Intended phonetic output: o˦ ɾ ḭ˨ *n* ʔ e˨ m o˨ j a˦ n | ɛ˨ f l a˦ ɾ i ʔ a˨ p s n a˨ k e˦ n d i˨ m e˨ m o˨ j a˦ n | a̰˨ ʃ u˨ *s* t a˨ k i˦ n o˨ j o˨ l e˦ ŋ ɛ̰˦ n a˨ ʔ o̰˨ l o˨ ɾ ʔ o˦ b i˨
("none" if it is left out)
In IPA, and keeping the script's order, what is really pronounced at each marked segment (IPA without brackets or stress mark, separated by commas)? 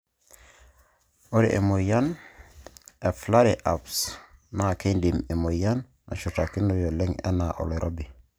none, none